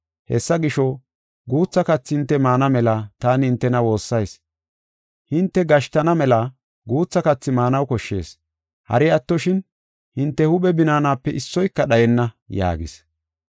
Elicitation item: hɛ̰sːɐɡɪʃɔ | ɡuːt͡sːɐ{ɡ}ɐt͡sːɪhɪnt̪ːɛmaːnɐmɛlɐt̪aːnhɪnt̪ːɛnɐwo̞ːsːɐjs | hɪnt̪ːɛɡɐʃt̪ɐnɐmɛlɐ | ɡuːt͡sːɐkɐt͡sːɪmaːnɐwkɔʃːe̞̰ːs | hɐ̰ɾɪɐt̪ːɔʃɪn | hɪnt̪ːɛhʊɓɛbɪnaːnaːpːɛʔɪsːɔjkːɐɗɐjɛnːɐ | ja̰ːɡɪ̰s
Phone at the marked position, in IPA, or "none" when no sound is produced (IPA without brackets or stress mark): k